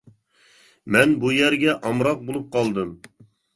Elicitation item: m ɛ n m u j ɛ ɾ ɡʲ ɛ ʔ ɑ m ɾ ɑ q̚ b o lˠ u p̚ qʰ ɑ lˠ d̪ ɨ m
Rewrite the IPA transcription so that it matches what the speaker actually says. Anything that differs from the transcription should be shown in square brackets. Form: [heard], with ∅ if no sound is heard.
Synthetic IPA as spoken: m ɛ n [b] u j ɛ ɾ ɡʲ ɛ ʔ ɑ m ɾ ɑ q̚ b o lˠ u p̚ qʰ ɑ lˠ d̪ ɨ m